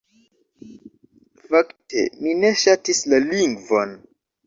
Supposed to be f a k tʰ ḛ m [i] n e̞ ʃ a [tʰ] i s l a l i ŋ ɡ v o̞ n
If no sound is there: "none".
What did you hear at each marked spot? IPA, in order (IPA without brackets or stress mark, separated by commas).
i, t